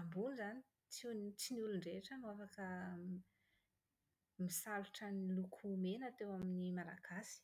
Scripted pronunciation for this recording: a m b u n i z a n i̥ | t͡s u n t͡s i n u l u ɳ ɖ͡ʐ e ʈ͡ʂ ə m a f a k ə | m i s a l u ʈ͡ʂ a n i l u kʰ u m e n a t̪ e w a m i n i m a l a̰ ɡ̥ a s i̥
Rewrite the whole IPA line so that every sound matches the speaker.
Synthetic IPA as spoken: a m b u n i z a n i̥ | t͡s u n t͡s i n u l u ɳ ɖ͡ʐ e ʈ͡ʂ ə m a f a k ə | m i s a l u ʈ͡ʂ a n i l u kʰ u m e n a t̪ e w a m i n i m a l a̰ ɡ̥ a s i̥

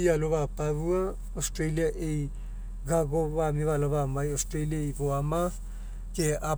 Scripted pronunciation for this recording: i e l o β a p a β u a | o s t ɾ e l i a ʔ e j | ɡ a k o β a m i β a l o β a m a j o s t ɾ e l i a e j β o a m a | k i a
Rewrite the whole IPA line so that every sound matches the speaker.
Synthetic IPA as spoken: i a l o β a p a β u a | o s t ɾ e l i a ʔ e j | ɡ a ɡ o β a m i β a l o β a m a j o s t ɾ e l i a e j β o a m a | k e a

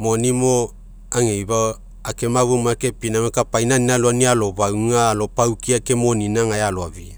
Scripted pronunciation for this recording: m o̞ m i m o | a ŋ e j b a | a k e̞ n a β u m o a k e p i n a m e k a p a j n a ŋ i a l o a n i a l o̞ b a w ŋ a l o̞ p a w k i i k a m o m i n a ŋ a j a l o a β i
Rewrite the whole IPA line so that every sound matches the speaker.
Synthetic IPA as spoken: m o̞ n i m o | a ŋ e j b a | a k e̞ m a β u m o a k e p i n a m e k a p a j n a n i a l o a n i a l o̞ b a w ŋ a l o̞ p a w k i a k e m o n i n a ŋ a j a l o a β i

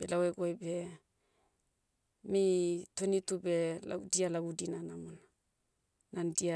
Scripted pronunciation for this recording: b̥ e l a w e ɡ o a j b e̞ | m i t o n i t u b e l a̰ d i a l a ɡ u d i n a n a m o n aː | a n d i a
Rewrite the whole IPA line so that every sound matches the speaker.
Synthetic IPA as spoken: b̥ e l a w e ɡ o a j b e̞ | m i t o n i t u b e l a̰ d i a l a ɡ u d i n a n a m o n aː | a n d i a

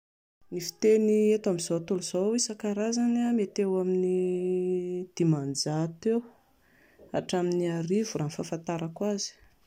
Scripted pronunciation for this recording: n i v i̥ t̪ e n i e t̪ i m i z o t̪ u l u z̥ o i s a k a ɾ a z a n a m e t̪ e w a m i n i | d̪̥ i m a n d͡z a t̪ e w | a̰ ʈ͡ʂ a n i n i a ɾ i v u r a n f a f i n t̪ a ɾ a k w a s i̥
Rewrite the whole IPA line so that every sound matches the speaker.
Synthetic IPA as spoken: n i f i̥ t̪ e n i e t̪ a m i z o t̪ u l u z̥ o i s a k a ɾ a z a n a m e t̪ e w a m i n i | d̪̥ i m a n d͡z a t̪ e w | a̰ ʈ͡ʂ a m i n i a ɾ i v u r a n f a f a n t̪ a ɾ a k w a z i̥

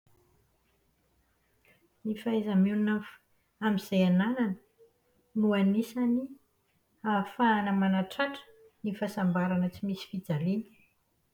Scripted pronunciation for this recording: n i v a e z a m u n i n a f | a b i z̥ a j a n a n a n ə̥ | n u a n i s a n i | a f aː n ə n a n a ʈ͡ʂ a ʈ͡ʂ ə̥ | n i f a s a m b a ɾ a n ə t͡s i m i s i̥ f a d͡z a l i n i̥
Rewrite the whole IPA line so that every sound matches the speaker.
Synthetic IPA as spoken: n i f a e z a m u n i n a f | a m i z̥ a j a n a n a n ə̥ | n u a n i s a n i | a f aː n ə m a n a ʈ͡ʂ a ʈ͡ʂ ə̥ | n i f a s a m b a ɾ a n ə t͡s i m i s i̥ f i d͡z a l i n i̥

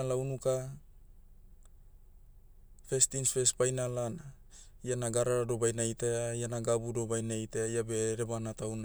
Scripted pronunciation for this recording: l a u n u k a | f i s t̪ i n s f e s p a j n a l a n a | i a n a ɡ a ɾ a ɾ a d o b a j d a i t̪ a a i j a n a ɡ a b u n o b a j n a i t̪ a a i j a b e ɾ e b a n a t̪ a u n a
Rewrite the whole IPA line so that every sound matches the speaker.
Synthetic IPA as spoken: l a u n u k a | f e s t̪ i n s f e s p a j n a l a n a | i a n a ɡ a ɾ a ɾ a d o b a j n a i t̪ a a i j a n a ɡ a b u d o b a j n a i t̪ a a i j a b e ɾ e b a n a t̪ a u n a

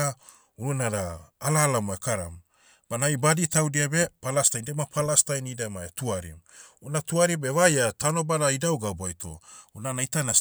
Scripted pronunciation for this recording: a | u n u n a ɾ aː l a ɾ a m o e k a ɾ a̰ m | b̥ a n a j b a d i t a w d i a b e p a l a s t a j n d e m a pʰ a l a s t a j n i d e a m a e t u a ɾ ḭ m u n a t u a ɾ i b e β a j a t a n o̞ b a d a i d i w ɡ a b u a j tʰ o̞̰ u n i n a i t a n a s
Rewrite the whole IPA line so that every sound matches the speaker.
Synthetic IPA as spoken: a | u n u n a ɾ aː l a l a m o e k a ɾ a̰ m | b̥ a n a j b a d i t a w d i a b e p a l a s t a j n d e m a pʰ a l a s t a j n i d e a m a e t u a ɾ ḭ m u n a t u a ɾ i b e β a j a t a n o̞ b a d a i d a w ɡ a b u a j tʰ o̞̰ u n a n a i t a n a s

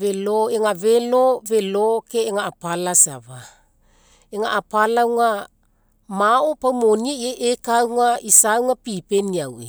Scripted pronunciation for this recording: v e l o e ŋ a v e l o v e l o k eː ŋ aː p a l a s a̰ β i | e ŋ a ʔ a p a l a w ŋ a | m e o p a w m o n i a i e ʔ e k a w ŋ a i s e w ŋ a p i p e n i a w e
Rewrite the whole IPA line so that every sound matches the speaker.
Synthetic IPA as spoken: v e l o e ŋ a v e l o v e l o k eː ŋ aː p a l a s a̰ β a | e ŋ a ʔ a p a l a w ŋ a | m a o p a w m o n i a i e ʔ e k a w ŋ a i s a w ŋ a p i p e n i a w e

